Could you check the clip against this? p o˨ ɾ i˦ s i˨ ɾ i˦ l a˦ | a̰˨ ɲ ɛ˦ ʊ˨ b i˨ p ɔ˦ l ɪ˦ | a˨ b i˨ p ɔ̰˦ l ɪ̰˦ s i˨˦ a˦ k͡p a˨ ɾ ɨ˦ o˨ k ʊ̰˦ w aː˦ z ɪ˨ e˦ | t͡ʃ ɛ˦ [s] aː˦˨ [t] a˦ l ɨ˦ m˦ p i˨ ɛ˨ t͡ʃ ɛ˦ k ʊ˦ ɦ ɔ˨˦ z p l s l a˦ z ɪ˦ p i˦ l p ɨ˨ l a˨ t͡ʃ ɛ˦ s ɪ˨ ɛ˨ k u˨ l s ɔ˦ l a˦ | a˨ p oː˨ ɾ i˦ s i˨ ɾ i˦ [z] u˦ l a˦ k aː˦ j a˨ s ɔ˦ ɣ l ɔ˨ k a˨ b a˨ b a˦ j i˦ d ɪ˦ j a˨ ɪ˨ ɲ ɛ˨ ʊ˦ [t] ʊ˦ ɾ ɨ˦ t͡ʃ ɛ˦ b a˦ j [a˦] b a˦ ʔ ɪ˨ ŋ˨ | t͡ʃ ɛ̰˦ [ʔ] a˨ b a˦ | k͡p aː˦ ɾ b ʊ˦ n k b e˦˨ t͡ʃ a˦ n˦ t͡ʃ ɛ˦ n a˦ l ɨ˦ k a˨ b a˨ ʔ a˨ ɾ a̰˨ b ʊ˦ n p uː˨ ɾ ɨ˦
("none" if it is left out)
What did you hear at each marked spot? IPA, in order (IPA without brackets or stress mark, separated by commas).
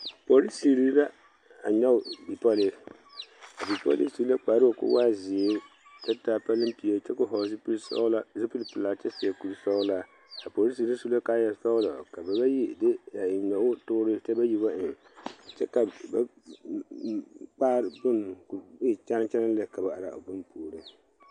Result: t, p, s, t, i˦, k